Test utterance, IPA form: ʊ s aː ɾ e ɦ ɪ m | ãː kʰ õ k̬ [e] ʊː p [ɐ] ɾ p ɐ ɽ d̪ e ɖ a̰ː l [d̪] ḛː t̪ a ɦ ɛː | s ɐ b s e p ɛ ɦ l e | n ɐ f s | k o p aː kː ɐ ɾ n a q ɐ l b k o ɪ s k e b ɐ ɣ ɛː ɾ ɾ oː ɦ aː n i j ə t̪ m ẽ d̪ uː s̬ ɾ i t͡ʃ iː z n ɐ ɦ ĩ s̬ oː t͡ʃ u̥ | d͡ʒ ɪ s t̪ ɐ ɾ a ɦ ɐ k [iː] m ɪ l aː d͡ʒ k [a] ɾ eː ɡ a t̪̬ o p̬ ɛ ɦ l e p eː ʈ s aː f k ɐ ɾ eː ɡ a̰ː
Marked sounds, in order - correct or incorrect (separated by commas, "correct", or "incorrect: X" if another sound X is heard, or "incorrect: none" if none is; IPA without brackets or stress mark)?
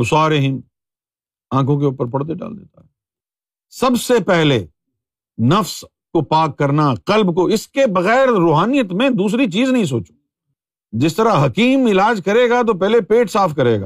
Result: correct, incorrect: ə, correct, correct, incorrect: ɐ